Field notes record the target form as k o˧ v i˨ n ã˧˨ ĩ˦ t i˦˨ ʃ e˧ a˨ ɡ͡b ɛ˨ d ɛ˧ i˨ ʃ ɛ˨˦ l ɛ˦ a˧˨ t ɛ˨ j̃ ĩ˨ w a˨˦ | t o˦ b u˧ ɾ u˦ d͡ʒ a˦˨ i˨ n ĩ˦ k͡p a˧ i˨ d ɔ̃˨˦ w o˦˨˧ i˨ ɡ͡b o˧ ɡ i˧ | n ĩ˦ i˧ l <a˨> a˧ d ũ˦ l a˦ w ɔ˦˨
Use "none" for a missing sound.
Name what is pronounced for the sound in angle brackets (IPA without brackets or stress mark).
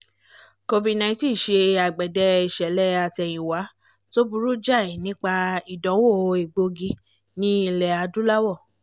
ɛ˨